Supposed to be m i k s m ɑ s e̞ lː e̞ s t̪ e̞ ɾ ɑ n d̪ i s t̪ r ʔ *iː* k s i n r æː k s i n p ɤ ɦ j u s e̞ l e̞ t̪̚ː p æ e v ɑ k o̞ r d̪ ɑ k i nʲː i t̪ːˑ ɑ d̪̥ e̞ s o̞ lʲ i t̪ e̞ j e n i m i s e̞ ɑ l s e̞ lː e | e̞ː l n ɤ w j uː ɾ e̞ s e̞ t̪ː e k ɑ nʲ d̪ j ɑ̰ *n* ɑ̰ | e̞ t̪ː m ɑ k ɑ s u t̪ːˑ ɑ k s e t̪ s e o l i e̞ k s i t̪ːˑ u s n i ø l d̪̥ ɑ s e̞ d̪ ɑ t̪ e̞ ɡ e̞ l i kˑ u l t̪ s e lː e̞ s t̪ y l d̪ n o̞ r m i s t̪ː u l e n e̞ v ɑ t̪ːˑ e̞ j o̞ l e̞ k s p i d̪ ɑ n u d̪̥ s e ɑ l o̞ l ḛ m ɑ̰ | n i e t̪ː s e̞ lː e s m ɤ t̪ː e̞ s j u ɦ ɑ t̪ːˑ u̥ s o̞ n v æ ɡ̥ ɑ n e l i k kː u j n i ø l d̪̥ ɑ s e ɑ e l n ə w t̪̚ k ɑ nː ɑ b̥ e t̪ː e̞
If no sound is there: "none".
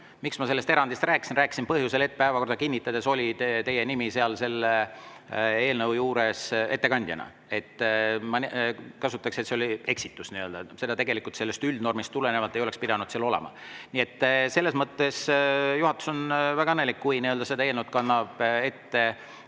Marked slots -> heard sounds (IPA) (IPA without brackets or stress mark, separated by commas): æː, n